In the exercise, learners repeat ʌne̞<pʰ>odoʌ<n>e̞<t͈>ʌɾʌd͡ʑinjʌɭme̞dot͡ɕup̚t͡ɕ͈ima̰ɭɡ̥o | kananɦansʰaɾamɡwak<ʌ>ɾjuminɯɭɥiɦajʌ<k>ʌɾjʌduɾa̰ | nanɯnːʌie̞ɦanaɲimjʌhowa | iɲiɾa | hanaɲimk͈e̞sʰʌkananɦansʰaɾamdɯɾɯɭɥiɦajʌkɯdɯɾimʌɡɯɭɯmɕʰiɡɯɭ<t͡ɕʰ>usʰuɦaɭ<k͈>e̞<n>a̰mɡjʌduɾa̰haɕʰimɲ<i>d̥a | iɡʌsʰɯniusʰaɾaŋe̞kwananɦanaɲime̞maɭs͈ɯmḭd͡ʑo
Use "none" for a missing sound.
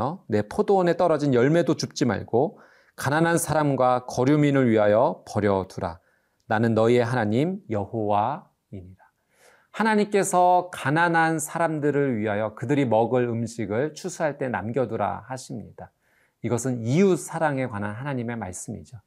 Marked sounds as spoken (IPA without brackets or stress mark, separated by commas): pʰ, n, t͈, ʌ, p, t͡ɕʰ, t͈, n, i